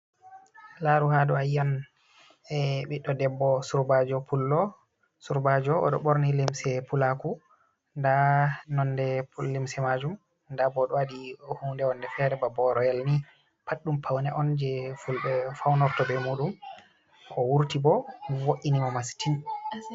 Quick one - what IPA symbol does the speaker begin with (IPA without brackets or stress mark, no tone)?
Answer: l